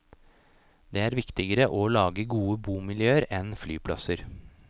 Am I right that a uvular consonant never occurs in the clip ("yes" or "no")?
yes